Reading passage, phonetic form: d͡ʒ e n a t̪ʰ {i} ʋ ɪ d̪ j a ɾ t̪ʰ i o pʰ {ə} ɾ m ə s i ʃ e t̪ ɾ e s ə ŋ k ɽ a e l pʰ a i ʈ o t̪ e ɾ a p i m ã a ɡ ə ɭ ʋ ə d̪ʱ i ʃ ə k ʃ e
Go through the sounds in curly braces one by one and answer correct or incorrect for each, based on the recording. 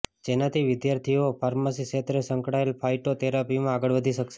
correct, incorrect

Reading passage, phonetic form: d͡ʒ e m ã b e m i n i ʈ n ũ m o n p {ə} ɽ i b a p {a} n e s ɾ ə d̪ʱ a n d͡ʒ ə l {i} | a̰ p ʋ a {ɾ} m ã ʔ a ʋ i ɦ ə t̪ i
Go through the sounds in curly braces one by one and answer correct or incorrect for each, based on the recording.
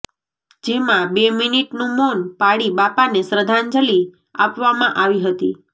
incorrect, correct, correct, incorrect

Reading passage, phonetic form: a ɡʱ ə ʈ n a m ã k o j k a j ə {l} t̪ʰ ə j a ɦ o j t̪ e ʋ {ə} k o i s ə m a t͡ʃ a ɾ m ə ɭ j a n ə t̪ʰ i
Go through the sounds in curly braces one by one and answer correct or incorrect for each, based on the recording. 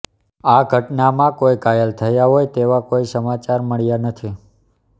correct, incorrect

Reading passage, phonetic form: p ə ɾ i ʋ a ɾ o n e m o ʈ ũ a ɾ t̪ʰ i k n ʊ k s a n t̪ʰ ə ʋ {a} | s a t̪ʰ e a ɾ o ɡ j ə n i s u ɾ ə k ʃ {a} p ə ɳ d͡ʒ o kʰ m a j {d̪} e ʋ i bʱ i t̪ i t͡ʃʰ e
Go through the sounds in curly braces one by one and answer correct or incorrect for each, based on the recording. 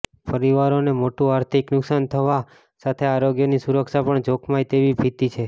correct, correct, incorrect

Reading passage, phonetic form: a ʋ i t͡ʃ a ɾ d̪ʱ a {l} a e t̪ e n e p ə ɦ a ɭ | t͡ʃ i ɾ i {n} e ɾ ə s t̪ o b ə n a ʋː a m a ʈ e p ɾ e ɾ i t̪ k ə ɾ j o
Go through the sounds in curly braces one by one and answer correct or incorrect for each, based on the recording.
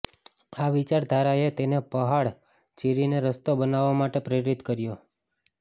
incorrect, correct

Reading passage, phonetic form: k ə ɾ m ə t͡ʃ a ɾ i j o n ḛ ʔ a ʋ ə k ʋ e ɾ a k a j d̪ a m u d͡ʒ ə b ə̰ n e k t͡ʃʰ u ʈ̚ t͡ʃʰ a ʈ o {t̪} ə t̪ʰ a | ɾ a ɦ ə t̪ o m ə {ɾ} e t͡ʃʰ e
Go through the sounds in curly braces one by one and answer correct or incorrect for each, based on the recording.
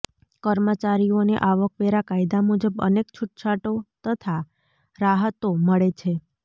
correct, incorrect

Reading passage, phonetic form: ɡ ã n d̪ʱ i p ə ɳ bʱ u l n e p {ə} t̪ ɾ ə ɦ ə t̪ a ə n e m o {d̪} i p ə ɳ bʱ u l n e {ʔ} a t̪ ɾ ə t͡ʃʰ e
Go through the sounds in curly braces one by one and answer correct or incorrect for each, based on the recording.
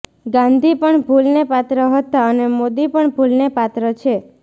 incorrect, correct, incorrect

